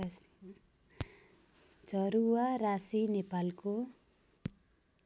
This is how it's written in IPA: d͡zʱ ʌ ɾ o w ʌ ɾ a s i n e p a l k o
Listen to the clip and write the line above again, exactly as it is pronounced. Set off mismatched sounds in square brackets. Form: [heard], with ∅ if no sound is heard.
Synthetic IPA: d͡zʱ ʌ ɾ [u] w [a] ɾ a s i n e p a l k o